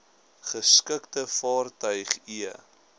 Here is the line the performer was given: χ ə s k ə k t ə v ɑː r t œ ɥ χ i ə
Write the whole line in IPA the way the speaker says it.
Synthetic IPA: χ ə s k ə k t ə f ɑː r t œ ɥ χ i ə

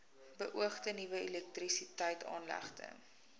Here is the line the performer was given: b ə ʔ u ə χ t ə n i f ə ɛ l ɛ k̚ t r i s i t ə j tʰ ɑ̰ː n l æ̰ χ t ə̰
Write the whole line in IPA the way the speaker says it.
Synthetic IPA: b ə ʔ u ə χ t ə n i v ə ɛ l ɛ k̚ t r i s i t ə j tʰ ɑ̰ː n l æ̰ χ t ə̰

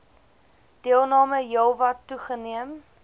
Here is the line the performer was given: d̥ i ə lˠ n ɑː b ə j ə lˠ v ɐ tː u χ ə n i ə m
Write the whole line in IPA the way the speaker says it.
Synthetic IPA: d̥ i ə lˠ n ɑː m ə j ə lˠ v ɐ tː u χ ə n i ə m

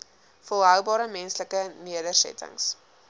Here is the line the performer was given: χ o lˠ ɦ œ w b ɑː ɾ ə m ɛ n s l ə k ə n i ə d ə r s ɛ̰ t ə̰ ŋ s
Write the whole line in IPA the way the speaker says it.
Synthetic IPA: f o lˠ ɦ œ w b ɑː ɾ ə m ɛ n s l ə k ə n i ə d ə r s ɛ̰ t ə̰ ŋ s

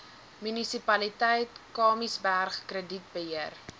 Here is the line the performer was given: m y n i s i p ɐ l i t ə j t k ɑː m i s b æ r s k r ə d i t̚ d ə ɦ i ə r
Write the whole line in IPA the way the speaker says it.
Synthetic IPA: m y n i s i p ɐ l i t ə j t k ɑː m i s b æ r χ k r ə d i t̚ b ə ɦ i ə r

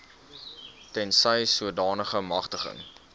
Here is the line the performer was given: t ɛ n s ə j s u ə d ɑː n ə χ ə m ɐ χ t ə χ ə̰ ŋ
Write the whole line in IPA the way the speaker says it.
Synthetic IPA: t ɛ n s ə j s u ə d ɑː n ə χ ə m ɐ χ t ə χ ə̰ ŋ

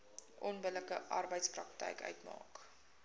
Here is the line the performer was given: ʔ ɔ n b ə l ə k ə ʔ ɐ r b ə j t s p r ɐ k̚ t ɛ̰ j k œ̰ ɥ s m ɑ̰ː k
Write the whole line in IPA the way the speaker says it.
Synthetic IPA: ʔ ɔ n b ə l ə k ə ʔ ɐ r b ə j t s p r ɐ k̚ t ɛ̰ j k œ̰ ɥ t m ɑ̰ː k

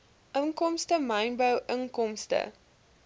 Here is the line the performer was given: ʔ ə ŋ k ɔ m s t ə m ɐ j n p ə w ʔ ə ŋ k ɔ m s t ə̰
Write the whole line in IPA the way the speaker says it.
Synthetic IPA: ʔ ə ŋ k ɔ m s t ə m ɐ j n b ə w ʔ ə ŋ k ɔ m s t ə̰

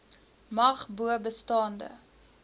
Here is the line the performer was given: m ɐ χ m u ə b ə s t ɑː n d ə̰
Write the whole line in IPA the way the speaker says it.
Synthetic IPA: m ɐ χ b u ə b ə s t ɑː n d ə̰

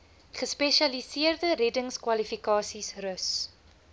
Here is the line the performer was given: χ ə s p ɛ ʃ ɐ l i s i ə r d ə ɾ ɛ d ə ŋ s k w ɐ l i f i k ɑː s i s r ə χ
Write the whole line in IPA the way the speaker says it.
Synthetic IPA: χ ə s p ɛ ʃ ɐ l i s i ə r d ə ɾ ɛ d ə ŋ s k w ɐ l i f i k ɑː s i s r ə s

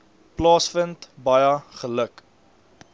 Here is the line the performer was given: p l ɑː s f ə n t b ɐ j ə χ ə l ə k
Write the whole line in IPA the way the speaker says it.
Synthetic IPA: p l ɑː s f ə n t b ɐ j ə χ ə l ə k

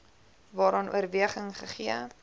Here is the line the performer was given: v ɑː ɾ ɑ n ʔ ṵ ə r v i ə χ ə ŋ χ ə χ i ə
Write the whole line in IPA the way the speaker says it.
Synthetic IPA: v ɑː ɾ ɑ n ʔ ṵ ə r v i ə χ ə ŋ χ ə χ i ə

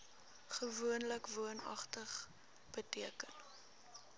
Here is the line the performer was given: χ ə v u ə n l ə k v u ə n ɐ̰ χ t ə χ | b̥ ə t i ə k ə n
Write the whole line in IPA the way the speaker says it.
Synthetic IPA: χ ə v u ə n l ə k v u ə n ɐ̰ χ t ə χ | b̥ ə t i ə k ə n

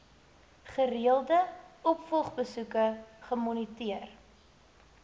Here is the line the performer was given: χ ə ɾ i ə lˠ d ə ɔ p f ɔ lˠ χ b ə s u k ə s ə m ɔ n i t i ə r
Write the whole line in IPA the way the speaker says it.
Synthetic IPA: χ ə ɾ i ə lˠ d ə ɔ p f ɔ lˠ χ b ə s u k ə χ ə m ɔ n i t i ə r

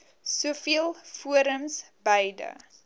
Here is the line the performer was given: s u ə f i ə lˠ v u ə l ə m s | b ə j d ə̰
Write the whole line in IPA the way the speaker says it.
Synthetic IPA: s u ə f i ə lˠ f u ə ɾ ə m s | b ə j d ə̰

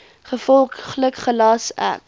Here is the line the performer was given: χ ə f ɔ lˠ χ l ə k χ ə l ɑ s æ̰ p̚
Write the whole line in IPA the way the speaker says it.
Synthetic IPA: χ ə f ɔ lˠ χ l ə k χ ə l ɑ s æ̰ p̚

